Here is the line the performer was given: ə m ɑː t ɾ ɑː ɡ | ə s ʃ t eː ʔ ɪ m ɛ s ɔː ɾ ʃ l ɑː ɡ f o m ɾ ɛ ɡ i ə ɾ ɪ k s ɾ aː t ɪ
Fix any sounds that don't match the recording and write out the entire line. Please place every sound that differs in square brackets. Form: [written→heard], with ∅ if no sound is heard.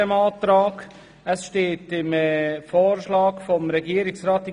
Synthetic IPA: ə m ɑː t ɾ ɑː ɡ | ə s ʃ t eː [ʔ→t] ɪ m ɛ [s→f] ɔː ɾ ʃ l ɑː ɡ f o m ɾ ɛ ɡ i ə ɾ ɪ k s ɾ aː t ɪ